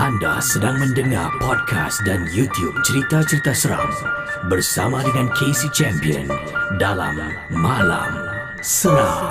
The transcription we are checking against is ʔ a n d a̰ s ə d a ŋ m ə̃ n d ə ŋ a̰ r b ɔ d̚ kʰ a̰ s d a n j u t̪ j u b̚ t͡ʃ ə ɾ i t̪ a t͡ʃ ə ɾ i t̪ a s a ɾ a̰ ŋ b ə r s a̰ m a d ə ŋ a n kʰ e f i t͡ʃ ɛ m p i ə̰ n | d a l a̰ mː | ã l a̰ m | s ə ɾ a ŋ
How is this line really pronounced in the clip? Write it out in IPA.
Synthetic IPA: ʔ a n d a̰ s ə d a ŋ m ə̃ n d ə ŋ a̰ r p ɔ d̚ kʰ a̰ s d a n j u t̪ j u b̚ t͡ʃ ə ɾ i t̪ a t͡ʃ ə ɾ i t̪ a s ə ɾ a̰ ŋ b ə r s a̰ m a d ə ŋ a n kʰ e s i t͡ʃ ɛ m p i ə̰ n | d a l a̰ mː | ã l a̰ m | s ə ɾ a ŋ